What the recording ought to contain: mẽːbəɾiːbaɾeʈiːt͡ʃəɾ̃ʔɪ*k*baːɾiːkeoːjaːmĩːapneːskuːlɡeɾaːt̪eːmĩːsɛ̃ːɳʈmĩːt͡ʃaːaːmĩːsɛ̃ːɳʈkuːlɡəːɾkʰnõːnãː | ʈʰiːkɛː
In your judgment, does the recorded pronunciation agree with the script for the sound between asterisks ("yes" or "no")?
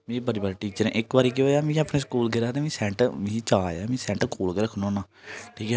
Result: yes